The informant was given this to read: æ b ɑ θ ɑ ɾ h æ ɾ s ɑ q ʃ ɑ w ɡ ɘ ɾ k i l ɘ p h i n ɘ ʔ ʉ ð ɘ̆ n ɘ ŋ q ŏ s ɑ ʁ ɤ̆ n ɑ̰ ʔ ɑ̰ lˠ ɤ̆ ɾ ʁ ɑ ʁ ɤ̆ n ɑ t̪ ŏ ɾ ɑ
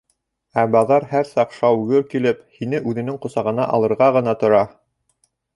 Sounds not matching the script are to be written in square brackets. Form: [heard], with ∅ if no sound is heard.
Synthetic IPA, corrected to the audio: æ b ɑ [ð] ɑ ɾ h æ ɾ s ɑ q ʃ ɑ w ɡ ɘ ɾ k i l ɘ p h i n ɘ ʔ ʉ ð ɘ̆ n ɘ ŋ q ŏ s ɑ ʁ ɤ̆ n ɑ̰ ʔ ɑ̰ lˠ ɤ̆ ɾ ʁ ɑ ʁ ɤ̆ n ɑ t̪ ŏ ɾ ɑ